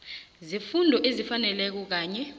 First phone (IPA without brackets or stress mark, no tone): z